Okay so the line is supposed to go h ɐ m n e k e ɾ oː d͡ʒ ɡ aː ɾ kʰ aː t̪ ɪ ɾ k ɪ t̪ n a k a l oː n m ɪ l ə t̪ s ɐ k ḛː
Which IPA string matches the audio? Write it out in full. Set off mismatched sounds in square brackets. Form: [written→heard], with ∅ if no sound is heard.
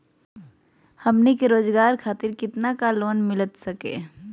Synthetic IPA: h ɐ m n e k e ɾ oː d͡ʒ ɡ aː ɾ kʰ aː t̪ ɪ ɾ k ɪ t̪ n a k a l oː n m ɪ l ə t̪ s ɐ k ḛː